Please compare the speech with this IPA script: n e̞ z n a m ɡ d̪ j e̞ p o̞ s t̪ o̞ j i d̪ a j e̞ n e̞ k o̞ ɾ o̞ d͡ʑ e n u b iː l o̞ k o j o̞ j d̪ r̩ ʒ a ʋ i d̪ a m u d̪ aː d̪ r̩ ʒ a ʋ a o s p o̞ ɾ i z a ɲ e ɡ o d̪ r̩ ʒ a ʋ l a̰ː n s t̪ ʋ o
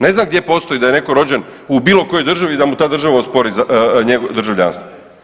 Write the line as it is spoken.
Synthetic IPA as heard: n e̞ z n a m ɡ d̪ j e̞ p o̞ s t̪ o̞ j i d̪ a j e̞ n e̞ k o̞ ɾ o̞ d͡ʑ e n u b iː l o̞ k o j o̞ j d̪ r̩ ʒ a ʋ i d̪ a m u t̪ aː d̪ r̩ ʒ a ʋ a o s p o̞ ɾ i z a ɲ e ɡ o d̪ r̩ ʒ a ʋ ʎ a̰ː n s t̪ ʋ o